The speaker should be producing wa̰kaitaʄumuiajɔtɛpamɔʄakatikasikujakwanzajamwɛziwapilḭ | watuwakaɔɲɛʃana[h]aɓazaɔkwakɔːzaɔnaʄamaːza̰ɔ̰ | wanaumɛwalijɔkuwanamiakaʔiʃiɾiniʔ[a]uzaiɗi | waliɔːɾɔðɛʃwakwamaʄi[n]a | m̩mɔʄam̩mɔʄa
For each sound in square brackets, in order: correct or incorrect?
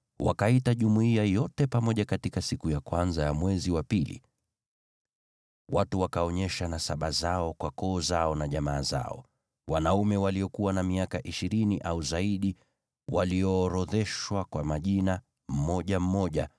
incorrect, correct, correct

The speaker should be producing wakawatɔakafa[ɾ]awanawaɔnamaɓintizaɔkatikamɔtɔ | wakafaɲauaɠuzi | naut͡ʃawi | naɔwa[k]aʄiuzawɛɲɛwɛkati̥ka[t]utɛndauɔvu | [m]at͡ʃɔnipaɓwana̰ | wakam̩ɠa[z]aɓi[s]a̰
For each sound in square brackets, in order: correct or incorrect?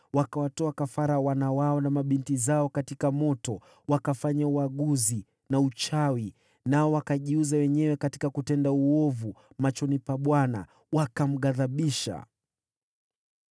correct, correct, incorrect, correct, incorrect, incorrect

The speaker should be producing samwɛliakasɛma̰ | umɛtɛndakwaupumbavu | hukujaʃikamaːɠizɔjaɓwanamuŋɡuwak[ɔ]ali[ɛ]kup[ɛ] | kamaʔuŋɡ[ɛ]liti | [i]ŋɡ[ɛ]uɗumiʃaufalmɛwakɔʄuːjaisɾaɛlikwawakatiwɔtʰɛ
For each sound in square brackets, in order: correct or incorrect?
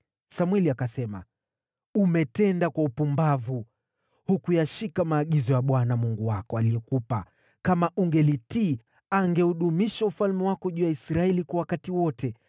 correct, correct, incorrect, correct, incorrect, correct

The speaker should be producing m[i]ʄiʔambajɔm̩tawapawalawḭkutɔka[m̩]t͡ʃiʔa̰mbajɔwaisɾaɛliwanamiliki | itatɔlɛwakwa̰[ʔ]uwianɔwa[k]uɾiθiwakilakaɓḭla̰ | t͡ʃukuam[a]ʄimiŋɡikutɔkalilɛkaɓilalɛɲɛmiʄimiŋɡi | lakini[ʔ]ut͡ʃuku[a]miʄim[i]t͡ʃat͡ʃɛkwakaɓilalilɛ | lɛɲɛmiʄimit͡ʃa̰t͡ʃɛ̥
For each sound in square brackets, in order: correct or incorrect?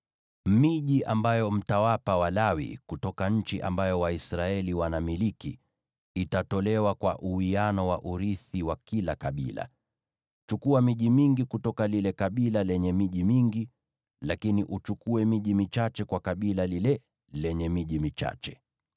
correct, incorrect, correct, incorrect, incorrect, correct, incorrect, correct

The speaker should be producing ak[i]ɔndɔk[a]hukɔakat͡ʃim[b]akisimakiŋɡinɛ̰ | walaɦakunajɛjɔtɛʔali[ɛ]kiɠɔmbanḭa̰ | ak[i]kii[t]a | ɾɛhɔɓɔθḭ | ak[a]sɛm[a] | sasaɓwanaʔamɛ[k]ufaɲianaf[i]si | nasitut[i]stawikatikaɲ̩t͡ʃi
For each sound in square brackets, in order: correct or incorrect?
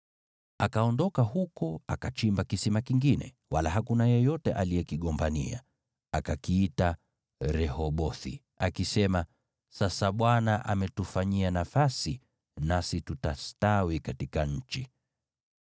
incorrect, correct, correct, correct, incorrect, correct, incorrect, correct, incorrect, incorrect, incorrect

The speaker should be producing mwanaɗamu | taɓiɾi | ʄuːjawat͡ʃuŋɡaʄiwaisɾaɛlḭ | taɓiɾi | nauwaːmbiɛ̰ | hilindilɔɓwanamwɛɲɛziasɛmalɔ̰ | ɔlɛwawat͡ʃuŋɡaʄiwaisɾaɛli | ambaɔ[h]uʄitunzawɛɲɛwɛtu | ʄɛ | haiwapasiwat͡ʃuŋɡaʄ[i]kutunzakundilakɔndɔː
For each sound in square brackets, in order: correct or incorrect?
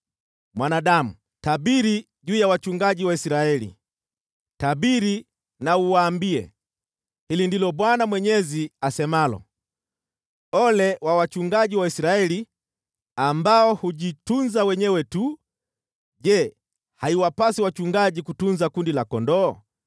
correct, correct

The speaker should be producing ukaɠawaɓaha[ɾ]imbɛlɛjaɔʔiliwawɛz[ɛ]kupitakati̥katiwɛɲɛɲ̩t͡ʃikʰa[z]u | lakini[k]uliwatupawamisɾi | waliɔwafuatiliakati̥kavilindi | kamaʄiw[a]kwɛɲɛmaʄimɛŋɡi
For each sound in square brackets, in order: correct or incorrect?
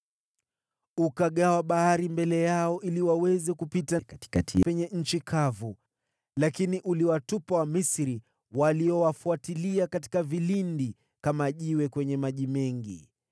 correct, correct, incorrect, incorrect, incorrect

